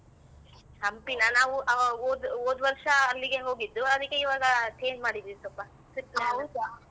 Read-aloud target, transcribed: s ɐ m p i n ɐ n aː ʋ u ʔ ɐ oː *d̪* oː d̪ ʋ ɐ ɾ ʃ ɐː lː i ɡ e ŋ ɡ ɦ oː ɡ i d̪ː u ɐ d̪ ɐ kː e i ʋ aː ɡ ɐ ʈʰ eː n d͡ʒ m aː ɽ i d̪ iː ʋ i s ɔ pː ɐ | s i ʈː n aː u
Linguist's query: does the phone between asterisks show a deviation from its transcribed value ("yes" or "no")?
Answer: no